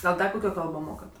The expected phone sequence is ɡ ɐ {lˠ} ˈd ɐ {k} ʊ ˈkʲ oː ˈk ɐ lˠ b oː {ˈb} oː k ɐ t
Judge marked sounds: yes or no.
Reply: yes, yes, no

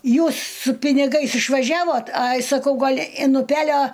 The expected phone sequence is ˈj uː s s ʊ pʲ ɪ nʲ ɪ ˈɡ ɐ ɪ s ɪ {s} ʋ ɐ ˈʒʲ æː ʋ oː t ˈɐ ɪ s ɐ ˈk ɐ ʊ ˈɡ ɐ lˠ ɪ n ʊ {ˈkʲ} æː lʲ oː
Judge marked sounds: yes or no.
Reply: no, no

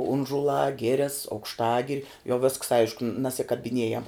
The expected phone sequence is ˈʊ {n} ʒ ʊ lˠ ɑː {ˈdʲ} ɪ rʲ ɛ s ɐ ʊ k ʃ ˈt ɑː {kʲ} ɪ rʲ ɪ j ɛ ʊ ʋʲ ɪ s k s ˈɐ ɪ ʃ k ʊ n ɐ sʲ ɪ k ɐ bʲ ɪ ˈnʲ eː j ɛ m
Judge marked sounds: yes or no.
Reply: yes, no, no

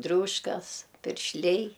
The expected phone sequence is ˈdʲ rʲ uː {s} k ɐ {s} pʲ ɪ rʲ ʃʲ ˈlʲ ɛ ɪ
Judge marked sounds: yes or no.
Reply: no, yes

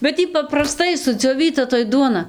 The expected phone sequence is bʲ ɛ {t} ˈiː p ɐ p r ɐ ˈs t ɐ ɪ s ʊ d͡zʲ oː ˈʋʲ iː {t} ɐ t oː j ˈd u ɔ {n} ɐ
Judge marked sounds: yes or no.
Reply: yes, yes, yes

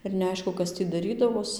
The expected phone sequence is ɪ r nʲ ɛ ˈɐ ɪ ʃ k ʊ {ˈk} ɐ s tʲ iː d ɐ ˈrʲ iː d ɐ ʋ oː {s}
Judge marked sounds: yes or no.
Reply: yes, yes

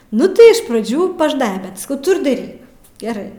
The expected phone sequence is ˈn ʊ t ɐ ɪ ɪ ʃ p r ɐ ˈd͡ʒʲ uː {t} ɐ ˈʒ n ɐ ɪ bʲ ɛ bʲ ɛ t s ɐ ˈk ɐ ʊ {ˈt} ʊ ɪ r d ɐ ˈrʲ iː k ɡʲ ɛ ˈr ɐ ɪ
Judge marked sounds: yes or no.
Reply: no, yes

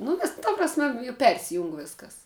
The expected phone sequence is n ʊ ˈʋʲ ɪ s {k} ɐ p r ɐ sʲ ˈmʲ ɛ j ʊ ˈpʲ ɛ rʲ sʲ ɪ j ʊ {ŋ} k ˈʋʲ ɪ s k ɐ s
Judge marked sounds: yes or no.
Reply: no, yes

